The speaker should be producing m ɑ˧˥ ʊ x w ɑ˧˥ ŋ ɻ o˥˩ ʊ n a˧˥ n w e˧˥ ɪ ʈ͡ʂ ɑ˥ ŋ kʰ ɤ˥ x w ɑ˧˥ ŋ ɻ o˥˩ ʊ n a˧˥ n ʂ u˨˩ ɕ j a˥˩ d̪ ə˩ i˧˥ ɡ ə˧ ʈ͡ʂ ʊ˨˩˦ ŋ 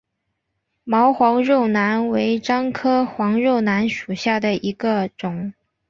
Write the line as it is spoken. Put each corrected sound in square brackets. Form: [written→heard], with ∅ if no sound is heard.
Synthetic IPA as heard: m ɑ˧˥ ʊ x w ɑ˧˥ ŋ ɻ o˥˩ ʊ n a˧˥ n w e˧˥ ɪ ʈ͡ʂ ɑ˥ ŋ kʰ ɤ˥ x w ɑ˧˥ ŋ ɻ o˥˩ ʊ n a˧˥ n ʂ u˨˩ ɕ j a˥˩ d̪ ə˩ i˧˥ ɡ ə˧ ʈ͡ʂ ʊ˨˩˦ ŋ